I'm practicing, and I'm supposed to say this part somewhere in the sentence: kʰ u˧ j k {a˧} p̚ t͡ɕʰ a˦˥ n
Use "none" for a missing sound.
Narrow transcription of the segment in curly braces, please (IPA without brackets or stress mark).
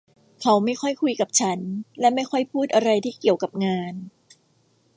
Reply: a˨˩